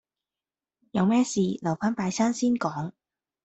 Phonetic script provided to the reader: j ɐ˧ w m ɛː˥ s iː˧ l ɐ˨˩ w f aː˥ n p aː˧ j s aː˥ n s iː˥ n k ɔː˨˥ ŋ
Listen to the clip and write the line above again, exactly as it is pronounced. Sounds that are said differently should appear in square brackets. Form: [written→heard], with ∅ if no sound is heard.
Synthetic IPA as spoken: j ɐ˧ w m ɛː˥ s iː˧ l ɐ˨˩ w f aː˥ n p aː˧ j s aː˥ n s iː˥ n k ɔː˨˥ ŋ